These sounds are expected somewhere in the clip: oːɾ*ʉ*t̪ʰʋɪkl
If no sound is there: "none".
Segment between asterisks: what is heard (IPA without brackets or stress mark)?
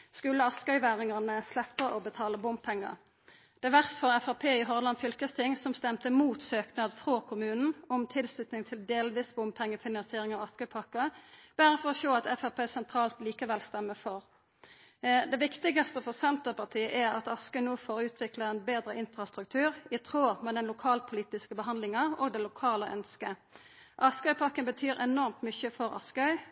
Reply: ʉː